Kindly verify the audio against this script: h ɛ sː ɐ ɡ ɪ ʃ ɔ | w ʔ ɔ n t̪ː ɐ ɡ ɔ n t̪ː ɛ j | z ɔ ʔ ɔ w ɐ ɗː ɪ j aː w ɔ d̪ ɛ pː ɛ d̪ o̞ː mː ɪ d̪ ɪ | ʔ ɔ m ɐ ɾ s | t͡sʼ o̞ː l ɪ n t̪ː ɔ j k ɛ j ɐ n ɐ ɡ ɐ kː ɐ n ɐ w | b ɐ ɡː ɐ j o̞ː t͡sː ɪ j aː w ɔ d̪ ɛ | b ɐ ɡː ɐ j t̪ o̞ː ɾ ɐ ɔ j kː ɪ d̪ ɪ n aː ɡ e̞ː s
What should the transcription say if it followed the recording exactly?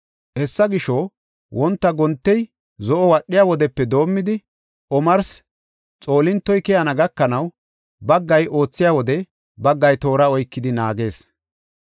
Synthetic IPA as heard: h ɛ sː ɐ ɡ ɪ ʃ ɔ | w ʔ ɔ n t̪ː ɐ ɡ ɔ n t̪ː ɛ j | z ɔ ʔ ɔ w ɐ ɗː ɪ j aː w ɔ d̪ ɛ pː ɛ d̪ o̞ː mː ɪ d̪ ɪ | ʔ ɔ m ɐ ɾ s | t͡sʼ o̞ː l ɪ n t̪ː ɔ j k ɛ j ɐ n ɐ ɡ ɐ kː ɐ n ɐ w | b ɐ ɡː ɐ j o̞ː t͡sː ɪ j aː w ɔ d̪ ɛ | b ɐ ɡː ɐ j t̪ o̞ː ɾ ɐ ɔ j kː ɪ d̪ ɪ n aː ɡ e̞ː s